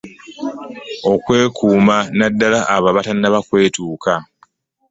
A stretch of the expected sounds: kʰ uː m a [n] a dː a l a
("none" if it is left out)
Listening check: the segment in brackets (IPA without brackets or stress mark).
n